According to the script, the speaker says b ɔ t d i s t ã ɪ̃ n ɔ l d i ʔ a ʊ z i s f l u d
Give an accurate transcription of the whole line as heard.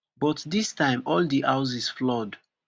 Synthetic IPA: b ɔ t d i s t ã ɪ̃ m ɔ l d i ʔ a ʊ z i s f l ɔ d